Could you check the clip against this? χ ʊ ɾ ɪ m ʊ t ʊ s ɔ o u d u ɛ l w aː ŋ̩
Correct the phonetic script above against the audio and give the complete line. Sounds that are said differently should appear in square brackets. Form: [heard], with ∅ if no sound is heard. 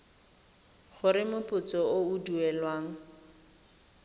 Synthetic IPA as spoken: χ ʊ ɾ ɪ m ʊ [p] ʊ [t͡s] ɔ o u d u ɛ l w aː ŋ̩